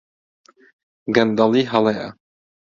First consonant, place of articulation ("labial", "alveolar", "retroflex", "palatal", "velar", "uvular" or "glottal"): velar